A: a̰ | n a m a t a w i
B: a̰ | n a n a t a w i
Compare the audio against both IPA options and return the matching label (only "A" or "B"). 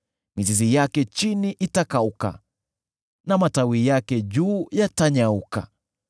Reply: A